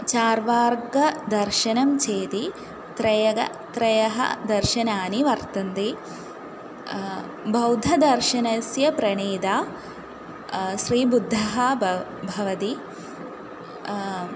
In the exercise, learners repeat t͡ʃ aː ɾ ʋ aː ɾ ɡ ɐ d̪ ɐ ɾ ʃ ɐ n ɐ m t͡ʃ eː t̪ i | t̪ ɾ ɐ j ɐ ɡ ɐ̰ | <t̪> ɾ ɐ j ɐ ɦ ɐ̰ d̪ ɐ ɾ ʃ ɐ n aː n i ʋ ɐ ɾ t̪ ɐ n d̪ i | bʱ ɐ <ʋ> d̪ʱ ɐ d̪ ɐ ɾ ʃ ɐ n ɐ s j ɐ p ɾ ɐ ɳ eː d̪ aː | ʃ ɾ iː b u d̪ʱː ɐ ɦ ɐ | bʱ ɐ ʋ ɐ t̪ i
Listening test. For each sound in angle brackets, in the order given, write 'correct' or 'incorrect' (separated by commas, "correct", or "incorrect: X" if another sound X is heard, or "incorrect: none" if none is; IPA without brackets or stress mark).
correct, incorrect: w